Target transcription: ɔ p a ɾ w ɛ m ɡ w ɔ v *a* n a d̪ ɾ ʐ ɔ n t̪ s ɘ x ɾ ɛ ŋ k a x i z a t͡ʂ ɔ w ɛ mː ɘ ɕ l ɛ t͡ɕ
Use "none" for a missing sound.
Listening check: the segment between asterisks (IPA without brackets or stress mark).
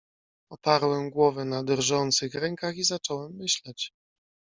ɛ